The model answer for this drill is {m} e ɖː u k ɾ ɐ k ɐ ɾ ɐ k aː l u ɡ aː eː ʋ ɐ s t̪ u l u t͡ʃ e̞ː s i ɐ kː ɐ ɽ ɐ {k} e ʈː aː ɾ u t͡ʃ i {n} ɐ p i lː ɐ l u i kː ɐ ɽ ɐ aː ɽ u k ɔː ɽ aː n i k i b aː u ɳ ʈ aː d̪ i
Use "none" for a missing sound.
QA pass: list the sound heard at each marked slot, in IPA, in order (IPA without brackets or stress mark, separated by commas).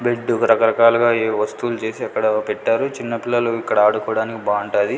b, p, nː